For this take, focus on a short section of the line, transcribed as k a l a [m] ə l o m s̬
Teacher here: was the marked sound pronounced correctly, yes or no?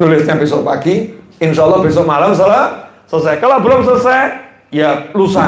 no